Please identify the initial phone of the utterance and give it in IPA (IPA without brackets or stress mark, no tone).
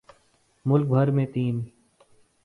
m